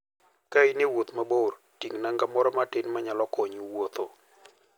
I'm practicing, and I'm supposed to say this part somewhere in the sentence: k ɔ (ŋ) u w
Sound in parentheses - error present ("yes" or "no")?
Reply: yes